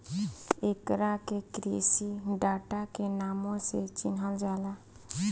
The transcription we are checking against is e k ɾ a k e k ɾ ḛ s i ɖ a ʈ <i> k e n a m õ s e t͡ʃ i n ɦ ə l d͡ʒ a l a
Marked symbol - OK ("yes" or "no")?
no